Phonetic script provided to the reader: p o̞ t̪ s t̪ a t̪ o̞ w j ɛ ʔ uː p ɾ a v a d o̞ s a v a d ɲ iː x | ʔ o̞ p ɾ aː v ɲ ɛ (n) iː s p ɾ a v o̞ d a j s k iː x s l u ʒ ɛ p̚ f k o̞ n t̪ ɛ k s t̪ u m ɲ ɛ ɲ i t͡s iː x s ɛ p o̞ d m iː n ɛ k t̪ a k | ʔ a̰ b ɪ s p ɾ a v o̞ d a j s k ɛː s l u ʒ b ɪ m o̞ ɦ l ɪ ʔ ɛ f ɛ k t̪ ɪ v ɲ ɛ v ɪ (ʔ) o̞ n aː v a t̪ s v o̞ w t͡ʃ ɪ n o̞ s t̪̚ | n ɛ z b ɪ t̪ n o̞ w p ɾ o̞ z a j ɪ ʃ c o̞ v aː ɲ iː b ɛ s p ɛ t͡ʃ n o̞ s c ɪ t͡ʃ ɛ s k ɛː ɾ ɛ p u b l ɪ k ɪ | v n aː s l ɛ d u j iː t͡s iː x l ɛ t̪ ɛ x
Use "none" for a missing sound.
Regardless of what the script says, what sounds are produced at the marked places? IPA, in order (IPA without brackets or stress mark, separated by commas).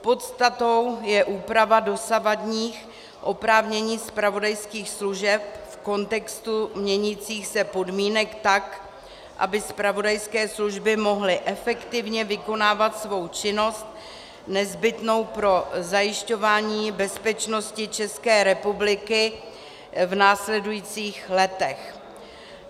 ɲ, k